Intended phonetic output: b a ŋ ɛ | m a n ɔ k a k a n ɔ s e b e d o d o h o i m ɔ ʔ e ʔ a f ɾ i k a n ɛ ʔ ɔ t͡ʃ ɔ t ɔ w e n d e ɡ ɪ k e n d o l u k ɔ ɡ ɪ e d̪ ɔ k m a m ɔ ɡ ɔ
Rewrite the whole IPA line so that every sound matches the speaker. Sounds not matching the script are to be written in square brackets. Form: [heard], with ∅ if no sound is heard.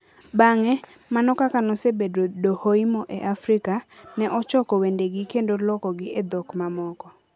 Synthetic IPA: b a ŋ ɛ | m a n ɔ k a k a n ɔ s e b e d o d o h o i m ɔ ʔ e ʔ a f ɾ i k a n ɛ ʔ ɔ t͡ʃ ɔ [k] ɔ w e n d e ɡ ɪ k e n d o l [ɔ] k ɔ ɡ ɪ e d̪ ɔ k m a m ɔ [k] ɔ